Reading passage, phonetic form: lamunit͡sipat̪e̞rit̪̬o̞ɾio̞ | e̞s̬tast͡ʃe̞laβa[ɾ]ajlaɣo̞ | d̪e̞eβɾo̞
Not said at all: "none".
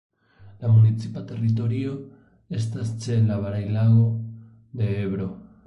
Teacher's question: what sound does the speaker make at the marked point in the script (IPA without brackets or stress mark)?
ɾ